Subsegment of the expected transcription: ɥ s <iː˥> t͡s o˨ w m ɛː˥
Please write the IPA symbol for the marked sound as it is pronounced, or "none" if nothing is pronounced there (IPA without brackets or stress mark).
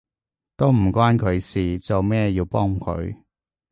iː˨